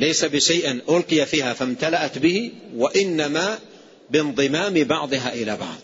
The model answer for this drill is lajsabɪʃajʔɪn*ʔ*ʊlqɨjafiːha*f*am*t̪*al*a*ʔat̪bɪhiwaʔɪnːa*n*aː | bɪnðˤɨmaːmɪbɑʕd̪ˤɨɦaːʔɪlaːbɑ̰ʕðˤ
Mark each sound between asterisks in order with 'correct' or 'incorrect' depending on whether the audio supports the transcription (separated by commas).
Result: correct, correct, correct, correct, incorrect